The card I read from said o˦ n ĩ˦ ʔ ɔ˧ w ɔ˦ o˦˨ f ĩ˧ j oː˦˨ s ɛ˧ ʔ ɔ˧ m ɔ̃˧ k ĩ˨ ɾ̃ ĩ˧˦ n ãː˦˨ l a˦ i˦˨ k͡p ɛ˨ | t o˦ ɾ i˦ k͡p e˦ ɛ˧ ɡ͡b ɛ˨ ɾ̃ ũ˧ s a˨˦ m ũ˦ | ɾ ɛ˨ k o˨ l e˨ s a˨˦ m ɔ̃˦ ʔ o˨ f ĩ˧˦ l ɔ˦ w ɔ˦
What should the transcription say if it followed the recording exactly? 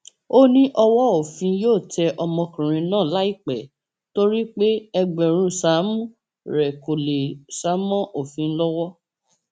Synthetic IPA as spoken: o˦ n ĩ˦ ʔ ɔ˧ w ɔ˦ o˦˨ f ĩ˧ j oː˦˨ t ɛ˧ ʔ ɔ˧ m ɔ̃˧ k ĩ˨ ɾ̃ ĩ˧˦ n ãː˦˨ l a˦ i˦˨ k͡p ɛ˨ | t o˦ ɾ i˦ k͡p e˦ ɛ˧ ɡ͡b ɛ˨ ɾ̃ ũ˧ s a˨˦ m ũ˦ | ɾ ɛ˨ k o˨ l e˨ s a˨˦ m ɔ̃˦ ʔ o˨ f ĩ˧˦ l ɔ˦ w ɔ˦